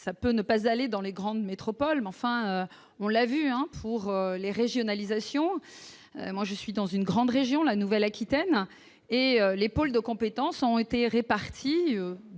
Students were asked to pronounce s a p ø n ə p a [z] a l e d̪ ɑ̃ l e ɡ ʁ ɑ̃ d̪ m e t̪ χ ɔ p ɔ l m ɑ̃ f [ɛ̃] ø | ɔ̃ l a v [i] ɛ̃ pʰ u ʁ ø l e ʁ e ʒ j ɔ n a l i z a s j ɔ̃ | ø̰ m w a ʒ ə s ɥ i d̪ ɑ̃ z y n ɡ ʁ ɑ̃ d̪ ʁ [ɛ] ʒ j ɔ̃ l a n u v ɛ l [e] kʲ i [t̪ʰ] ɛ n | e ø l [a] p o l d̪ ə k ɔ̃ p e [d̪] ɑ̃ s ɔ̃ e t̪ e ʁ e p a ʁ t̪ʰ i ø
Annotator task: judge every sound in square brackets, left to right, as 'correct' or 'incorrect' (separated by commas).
correct, correct, incorrect, incorrect, incorrect, incorrect, incorrect, incorrect